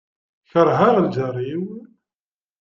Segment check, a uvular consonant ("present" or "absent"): present